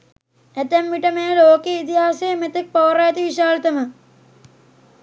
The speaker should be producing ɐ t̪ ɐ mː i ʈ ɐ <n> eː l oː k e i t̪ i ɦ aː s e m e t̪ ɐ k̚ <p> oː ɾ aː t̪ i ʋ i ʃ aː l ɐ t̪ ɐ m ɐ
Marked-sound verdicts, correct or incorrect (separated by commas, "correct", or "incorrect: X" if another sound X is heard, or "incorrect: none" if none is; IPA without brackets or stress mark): incorrect: m, correct